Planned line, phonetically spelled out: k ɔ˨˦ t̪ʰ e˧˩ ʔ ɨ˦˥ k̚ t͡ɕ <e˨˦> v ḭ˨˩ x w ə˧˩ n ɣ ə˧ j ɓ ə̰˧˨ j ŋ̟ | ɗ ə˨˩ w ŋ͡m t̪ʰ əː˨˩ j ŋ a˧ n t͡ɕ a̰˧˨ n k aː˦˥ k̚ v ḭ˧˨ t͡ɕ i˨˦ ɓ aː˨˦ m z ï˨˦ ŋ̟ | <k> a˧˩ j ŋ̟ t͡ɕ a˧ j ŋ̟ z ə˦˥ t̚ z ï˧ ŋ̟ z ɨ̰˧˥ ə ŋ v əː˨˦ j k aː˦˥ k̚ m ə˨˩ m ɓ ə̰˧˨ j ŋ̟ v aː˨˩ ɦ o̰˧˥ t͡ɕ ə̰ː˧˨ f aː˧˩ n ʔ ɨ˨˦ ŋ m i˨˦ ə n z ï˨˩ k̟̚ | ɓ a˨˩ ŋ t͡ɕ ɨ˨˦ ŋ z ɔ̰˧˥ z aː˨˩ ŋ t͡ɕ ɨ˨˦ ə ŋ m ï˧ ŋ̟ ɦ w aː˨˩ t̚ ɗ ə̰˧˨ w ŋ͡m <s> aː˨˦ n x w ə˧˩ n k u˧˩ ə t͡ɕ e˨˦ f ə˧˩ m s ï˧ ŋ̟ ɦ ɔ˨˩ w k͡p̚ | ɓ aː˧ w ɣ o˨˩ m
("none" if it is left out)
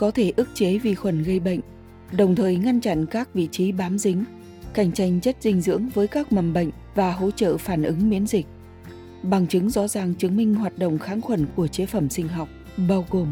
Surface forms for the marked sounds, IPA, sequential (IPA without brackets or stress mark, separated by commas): e˨˦, k, x